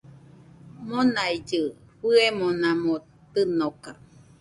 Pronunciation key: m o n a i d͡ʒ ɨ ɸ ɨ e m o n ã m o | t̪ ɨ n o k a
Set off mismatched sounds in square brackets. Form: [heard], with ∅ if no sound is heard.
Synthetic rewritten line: m o n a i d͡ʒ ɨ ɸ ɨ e m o n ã m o | t̪ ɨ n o k a

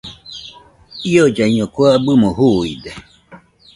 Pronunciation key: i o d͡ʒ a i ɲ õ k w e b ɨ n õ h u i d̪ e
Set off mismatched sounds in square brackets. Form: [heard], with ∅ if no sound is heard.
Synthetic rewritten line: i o d͡ʒ a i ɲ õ k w [a] b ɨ [m] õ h u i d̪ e

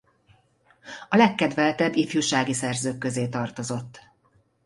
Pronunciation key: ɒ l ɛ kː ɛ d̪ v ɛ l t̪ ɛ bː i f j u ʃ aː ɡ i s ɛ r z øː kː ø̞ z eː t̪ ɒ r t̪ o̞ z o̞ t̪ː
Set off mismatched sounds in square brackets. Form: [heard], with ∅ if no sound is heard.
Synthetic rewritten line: ɒ l ɛ kː ɛ d̪ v ɛ l t̪ ɛ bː i f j u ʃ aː ɡ i s ɛ r z øː kː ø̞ z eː t̪ ɒ r t̪ o̞ z o̞ t̪ː

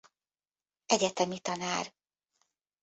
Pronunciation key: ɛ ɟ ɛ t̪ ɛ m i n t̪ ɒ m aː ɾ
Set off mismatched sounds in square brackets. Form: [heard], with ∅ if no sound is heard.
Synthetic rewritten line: ɛ ɟ ɛ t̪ ɛ m i [∅] t̪ ɒ [n] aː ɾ

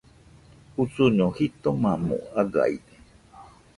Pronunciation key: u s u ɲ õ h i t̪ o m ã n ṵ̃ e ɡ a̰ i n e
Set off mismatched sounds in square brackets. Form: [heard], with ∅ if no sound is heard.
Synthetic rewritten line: u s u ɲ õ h i t̪ o m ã [m] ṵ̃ [a] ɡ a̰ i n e

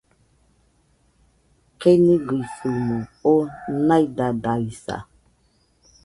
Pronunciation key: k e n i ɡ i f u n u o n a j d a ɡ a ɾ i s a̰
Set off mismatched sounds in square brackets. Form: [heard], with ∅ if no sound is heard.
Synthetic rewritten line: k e n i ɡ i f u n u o n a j d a [d] a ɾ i s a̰

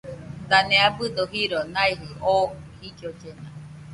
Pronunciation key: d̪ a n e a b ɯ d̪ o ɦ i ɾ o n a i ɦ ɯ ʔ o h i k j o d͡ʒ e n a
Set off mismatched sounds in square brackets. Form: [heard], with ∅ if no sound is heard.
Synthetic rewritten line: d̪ a n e a b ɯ d̪ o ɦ i ɾ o n a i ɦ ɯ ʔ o h i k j o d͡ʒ e n a

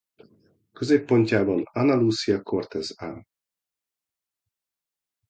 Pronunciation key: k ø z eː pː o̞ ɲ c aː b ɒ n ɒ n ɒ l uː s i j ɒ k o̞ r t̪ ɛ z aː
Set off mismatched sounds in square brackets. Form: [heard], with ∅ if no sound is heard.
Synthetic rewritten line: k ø z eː pː o̞ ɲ c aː b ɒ n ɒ n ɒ l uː s i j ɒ k o̞ r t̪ ɛ z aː

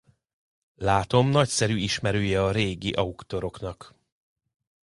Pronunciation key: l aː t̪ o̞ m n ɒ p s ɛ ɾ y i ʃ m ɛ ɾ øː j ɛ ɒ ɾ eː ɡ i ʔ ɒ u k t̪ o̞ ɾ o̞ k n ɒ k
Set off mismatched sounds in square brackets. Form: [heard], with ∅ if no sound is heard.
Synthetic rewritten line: l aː t̪ o̞ m n ɒ [c] s ɛ ɾ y i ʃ m ɛ ɾ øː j ɛ ɒ ɾ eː ɡ i ʔ ɒ u k t̪ o̞ ɾ o̞ k n ɒ k

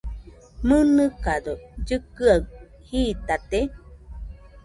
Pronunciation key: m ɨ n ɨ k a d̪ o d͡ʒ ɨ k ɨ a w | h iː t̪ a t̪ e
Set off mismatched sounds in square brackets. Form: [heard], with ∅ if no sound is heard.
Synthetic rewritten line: m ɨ n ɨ k a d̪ o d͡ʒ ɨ k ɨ a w | h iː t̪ a t̪ e

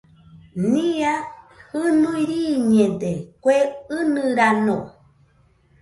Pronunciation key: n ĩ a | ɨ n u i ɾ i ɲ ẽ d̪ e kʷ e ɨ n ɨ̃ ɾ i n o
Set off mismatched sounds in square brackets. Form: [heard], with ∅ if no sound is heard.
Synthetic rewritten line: n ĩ a | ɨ n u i ɾ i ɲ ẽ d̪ e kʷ e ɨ n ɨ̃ ɾ [a] n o

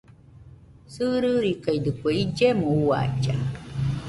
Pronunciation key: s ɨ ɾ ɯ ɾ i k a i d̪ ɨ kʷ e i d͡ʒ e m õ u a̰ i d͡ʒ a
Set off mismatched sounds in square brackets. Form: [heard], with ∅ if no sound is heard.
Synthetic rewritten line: s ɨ ɾ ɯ ɾ i k a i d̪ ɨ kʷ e i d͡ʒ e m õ u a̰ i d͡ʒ a

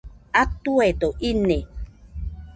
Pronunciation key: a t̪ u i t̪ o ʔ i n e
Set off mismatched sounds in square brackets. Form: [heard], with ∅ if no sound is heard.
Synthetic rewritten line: a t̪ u [e] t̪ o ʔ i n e

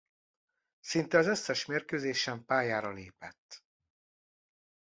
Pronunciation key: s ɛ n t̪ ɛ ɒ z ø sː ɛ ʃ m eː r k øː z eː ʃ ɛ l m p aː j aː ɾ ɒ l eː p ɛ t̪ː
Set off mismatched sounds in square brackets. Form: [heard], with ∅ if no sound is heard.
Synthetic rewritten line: s [i] n t̪ ɛ ɒ z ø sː ɛ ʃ m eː r k øː z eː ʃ ɛ [∅] m p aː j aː ɾ ɒ l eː p ɛ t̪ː

